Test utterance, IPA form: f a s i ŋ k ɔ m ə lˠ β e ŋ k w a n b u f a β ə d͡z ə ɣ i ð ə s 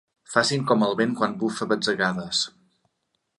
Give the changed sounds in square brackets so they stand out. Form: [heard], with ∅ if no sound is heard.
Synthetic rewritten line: f a s i ŋ k ɔ m ə lˠ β e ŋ k w a n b u f [ə] β ə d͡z ə ɣ [a] ð ə s